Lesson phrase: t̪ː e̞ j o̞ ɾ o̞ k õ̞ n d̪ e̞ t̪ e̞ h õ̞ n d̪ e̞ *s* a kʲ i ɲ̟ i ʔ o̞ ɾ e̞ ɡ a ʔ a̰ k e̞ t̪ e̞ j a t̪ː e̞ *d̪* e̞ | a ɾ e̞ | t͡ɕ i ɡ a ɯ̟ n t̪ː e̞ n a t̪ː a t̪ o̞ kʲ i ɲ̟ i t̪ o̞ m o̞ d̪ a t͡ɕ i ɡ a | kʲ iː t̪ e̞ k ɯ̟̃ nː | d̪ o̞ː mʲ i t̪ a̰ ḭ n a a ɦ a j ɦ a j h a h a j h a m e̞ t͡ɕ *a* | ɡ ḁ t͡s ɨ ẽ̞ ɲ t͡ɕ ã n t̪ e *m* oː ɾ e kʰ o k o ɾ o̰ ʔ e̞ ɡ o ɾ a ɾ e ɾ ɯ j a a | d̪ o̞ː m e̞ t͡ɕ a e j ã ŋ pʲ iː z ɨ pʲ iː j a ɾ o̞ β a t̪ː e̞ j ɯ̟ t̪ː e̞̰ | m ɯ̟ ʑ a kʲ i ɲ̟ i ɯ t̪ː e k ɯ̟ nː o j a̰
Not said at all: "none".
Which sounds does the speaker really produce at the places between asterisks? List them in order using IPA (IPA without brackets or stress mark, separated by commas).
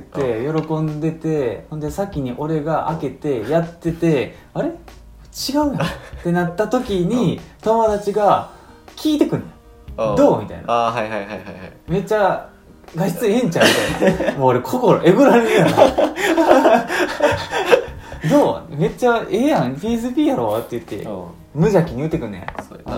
s, t̪, a, m